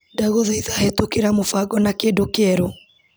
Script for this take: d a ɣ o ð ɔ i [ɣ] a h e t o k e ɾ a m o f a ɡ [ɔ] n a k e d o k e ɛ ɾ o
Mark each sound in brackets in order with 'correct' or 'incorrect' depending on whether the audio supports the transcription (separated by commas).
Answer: incorrect, correct